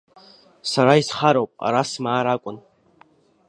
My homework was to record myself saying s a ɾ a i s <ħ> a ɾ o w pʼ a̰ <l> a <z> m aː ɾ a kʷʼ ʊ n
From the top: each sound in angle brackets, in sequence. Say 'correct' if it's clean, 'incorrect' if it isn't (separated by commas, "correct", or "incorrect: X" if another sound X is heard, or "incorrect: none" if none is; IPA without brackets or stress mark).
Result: incorrect: χ, incorrect: ɾ, incorrect: s